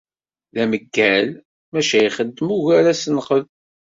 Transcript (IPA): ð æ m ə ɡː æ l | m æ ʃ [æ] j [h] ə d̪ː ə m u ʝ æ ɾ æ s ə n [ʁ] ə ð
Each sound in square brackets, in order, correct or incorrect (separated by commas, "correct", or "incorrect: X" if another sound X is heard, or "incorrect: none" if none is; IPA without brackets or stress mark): correct, incorrect: χ, incorrect: χ